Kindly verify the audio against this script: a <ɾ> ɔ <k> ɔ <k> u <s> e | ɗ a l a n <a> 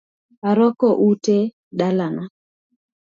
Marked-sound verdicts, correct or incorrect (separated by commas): correct, correct, incorrect, incorrect, correct